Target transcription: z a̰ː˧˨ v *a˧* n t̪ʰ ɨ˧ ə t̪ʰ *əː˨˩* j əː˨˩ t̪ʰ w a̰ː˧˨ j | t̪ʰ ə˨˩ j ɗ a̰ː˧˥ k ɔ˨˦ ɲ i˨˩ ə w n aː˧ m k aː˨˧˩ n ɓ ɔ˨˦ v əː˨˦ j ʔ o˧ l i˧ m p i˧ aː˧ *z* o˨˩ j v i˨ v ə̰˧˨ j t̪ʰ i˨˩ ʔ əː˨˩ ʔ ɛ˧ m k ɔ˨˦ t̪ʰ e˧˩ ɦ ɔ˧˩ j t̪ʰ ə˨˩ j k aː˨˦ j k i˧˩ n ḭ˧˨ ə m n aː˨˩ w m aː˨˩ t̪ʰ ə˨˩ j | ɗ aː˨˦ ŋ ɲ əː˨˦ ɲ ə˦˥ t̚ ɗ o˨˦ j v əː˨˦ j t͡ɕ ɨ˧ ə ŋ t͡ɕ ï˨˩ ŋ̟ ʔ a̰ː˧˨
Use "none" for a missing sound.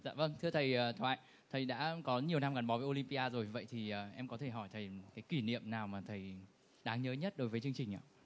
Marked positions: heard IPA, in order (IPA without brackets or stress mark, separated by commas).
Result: ə˧, ə˨˩, z